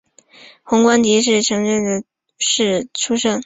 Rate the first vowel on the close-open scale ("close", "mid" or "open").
close